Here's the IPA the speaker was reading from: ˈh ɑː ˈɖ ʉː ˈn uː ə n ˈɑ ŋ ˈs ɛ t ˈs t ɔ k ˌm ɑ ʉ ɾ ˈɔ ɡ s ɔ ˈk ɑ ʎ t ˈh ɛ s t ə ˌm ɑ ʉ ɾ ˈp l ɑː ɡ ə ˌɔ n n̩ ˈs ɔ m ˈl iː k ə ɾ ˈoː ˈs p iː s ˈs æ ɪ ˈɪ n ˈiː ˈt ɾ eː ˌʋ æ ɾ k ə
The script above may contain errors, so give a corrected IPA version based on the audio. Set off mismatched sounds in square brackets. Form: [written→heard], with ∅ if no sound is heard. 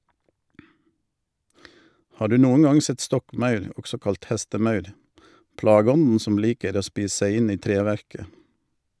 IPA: ˈh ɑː ˈɖ ʉː ˈn uː ə n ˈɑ ŋ ˈs ɛ t ˈs t ɔ k ˌm ɑ ʉ ɾ ˈɔ ɡ s ɔ ˈk ɑ [ʎ→l] t ˈh ɛ s t ə ˌm ɑ ʉ ɾ ˈp l ɑː ɡ ə ˌɔ n n̩ ˈs ɔ m ˈl iː k ə ɾ ˈoː ˈs p iː s ˈs æ ɪ ˈɪ n ˈiː ˈt ɾ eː ˌʋ æ ɾ k ə